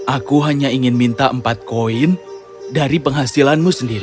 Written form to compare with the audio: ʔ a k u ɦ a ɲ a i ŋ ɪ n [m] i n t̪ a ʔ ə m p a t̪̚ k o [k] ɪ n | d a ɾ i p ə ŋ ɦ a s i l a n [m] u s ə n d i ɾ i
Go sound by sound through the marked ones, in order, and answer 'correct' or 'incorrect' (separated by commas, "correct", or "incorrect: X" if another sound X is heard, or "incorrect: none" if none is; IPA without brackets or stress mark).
correct, incorrect: none, correct